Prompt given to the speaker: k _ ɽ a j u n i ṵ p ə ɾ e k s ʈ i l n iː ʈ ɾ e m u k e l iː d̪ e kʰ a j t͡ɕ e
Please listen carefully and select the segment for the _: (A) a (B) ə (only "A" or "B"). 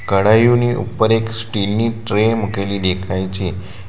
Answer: B